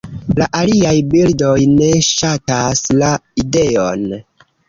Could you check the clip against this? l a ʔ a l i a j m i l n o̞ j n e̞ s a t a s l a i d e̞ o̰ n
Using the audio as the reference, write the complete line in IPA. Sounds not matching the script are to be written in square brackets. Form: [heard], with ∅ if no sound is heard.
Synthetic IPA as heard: l a ʔ a l i a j [b] i l [d] o̞ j n e̞ [ʃ] a t a s l a i d e̞ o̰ n